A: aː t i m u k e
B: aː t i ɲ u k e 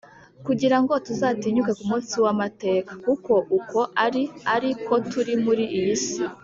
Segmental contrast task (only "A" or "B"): B